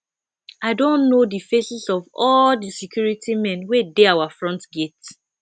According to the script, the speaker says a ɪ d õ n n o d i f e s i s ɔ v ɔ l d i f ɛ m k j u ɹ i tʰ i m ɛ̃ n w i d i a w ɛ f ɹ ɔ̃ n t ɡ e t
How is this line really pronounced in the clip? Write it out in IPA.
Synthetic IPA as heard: a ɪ d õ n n o d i f e s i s ɔ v ɔ l d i s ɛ k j u ɹ i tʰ i m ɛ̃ n w e d e a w a f ɹ ɔ̃ n t ɡ e t